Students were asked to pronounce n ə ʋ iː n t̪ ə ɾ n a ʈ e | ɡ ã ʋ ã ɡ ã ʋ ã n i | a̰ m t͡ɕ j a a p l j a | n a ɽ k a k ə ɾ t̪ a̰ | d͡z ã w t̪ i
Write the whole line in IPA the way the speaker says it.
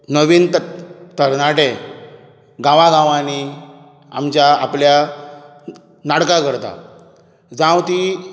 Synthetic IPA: n ə ʋ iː n t̪ ə ɾ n a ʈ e | ɡ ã ʋ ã ɡ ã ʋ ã n i | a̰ m t͡ɕ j a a p l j a | n a ɽ k a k ə ɾ t̪ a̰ | d͡z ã w t̪ i